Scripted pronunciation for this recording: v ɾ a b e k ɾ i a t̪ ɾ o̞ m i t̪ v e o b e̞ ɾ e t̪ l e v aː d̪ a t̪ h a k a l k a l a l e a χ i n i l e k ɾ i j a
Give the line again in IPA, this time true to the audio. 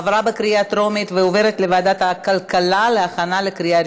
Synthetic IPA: v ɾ a b e k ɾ i a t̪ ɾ o̞ m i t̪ v e o v e̞ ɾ e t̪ l e v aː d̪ a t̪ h a k a l k a l a l e a χ a n a l e k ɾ i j a